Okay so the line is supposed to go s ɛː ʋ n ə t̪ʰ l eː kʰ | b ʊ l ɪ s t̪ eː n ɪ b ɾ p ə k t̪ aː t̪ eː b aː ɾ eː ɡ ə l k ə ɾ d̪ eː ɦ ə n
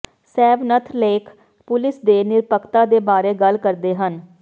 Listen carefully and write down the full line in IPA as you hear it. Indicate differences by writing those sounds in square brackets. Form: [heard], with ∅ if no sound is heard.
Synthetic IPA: s ɛː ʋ n ə t̪ʰ l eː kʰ | [p] ʊ l ɪ s [d̪] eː n ɪ [∅] ɾ p ə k t̪ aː [d̪] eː b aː ɾ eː ɡ ə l k ə ɾ d̪ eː ɦ ə n